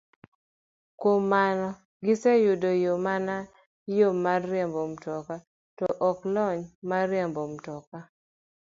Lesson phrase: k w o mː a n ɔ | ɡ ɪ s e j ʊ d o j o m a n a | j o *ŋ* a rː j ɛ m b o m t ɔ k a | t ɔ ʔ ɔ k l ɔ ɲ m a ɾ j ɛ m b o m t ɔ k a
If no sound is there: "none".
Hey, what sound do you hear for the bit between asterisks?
m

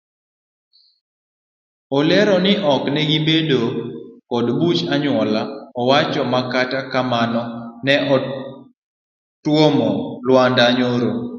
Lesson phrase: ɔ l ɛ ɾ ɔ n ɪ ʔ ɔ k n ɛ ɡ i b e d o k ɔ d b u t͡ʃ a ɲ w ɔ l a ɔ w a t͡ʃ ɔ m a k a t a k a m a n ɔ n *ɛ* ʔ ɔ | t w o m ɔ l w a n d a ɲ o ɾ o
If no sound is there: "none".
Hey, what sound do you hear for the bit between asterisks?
ɛ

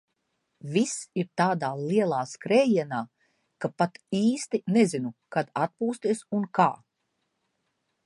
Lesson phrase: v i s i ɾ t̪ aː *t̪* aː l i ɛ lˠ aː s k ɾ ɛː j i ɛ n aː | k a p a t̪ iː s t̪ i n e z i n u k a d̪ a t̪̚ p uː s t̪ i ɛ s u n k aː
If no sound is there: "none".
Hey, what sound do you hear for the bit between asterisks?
d̪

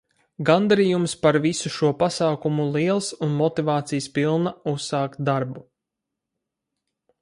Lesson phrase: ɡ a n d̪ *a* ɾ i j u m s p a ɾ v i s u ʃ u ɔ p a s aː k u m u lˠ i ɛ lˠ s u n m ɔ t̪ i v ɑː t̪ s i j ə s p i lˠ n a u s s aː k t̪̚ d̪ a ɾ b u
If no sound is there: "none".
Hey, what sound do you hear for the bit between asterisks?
a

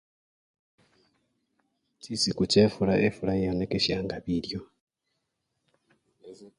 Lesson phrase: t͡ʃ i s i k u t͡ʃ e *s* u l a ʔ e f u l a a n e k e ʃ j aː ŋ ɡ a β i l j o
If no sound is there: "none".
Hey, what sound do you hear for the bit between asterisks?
f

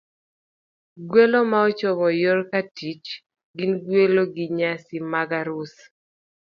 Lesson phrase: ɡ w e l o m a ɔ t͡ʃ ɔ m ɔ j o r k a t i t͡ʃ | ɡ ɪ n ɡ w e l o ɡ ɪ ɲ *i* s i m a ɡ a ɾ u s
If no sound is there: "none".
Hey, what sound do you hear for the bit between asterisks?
a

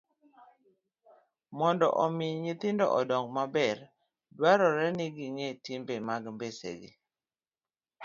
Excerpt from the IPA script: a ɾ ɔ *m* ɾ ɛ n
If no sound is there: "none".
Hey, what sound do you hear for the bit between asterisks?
none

